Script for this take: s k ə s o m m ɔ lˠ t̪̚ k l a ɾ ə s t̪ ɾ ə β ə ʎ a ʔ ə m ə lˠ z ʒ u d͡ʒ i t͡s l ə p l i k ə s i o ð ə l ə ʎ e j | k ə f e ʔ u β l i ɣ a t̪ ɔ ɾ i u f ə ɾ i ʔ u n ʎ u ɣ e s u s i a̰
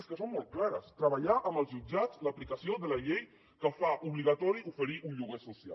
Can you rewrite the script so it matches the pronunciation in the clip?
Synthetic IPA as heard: s k ə s o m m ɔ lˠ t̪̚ k l a ɾ ə s t̪ ɾ ə β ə ʎ a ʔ ə m ə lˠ z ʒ u d͡ʒ a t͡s l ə p l i k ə s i o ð ə l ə ʎ e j | k ə f a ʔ u β l i ɣ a t̪ ɔ ɾ i u f ə ɾ i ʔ u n ʎ u ɣ e s u s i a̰